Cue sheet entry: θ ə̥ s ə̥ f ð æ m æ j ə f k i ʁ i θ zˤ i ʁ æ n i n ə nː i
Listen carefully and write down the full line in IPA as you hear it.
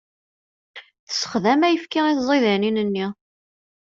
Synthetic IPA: θ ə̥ s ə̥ χ ð æ m æ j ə f k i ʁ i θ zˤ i ð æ n i n ə nː i